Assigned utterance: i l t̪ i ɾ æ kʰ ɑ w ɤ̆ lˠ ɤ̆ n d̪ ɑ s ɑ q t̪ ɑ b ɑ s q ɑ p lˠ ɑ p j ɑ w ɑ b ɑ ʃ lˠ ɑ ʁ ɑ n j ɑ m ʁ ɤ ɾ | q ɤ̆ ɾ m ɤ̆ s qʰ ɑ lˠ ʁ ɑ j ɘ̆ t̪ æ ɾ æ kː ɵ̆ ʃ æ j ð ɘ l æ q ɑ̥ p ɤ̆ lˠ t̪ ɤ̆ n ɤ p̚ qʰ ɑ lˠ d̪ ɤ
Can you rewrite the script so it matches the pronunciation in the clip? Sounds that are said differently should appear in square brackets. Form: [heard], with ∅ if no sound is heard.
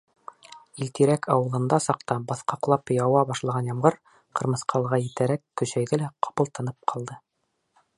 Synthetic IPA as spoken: i l t̪ i ɾ æ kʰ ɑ w ɤ̆ lˠ ɤ̆ n d̪ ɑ s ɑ q t̪ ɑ b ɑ [θ] q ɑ [q] lˠ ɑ p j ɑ w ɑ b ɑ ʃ lˠ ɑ ʁ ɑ n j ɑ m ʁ ɤ ɾ | q ɤ̆ ɾ m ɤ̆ s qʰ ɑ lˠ ʁ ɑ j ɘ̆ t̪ æ ɾ æ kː ɵ̆ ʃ æ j ð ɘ l æ q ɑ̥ p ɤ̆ lˠ t̪ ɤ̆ n ɤ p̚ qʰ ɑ lˠ d̪ ɤ